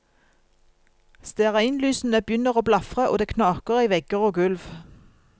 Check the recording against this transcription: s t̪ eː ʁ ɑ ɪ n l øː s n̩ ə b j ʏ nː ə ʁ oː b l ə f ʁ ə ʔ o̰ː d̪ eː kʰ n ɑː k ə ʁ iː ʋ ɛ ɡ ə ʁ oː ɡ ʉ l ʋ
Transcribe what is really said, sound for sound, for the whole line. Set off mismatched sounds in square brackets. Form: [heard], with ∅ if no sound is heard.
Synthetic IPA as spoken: s t̪ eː ʁ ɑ ɪ n l [yː] s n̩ ə b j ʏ [n] ə ʁ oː b l [ɑ] f ʁ ə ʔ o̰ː d̪ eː kʰ n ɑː k ə ʁ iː ʋ ɛ ɡ ə ʁ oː ɡ ʉ l ʋ